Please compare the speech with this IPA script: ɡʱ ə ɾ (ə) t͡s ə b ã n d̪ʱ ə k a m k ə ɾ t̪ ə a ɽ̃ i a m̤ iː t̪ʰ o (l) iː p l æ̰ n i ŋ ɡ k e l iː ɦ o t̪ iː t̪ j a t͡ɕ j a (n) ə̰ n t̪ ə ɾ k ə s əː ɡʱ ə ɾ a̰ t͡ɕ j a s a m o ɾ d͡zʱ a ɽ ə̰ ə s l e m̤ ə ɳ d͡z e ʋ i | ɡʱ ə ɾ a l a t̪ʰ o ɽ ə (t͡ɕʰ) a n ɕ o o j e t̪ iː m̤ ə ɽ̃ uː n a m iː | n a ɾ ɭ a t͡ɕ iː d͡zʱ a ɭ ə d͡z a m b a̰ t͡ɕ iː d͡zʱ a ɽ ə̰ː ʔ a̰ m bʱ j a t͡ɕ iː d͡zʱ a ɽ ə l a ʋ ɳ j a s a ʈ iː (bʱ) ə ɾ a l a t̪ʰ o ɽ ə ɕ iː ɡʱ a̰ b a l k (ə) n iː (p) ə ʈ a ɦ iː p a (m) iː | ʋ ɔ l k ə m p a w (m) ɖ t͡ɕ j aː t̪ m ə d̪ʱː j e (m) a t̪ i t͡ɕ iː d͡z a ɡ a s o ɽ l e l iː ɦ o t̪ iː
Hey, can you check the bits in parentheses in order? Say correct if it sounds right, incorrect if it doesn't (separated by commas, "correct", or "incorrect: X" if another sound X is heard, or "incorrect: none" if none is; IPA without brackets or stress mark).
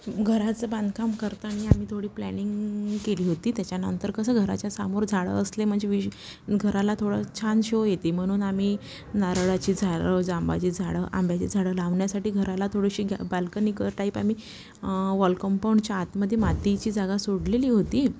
incorrect: a, incorrect: ɽ, correct, correct, incorrect: ɡʱ, correct, incorrect: k, correct, incorrect: ɳ, correct